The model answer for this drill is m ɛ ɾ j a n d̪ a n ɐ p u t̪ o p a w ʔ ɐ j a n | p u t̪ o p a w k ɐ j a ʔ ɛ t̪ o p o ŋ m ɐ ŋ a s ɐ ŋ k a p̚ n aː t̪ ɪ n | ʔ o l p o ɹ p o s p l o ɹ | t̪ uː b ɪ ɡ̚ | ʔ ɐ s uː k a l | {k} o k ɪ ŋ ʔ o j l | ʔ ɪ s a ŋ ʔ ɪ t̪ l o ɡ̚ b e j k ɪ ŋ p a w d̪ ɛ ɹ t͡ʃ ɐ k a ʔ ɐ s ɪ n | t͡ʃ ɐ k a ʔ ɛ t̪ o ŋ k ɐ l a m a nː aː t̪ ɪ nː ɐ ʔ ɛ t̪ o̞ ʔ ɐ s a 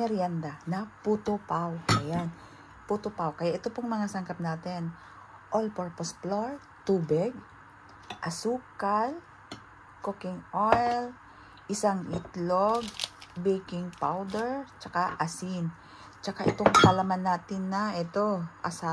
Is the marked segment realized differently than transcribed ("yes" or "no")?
no